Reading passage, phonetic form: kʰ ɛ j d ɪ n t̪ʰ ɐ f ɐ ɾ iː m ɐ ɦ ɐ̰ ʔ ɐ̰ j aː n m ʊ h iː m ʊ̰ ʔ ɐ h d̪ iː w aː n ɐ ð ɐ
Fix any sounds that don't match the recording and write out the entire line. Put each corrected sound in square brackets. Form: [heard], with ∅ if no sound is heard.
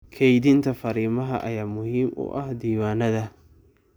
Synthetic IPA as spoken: kʰ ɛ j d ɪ n t̪ʰ ɐ f ɐ ɾ iː m ɐ ɦ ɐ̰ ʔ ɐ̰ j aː [∅] m ʊ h iː m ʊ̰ ʔ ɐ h d̪ iː w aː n ɐ ð ɐ